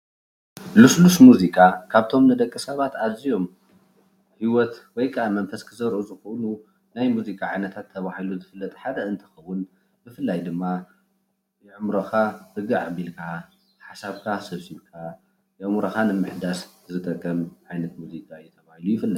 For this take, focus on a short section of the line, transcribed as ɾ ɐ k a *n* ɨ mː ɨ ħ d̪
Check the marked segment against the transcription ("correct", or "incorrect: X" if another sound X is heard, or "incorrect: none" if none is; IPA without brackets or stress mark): correct